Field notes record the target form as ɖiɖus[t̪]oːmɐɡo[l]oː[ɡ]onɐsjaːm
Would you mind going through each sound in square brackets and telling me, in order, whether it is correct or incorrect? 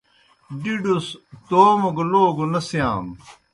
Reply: correct, correct, correct

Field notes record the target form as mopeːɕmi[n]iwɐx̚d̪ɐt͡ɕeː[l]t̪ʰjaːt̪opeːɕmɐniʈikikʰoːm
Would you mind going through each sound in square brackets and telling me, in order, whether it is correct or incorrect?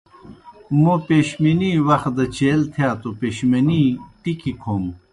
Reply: correct, correct

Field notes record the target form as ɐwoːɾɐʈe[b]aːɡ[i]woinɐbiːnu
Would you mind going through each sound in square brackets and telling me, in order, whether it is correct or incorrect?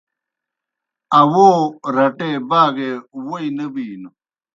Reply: correct, incorrect

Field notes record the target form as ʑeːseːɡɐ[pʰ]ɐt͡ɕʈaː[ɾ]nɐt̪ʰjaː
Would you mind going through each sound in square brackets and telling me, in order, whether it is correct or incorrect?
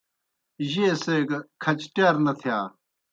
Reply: incorrect, correct

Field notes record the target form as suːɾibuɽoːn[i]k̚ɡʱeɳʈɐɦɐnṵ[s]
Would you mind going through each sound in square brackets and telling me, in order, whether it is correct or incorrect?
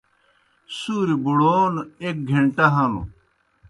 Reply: incorrect, incorrect

